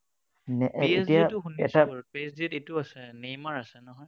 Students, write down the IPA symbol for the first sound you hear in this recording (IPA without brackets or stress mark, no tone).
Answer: n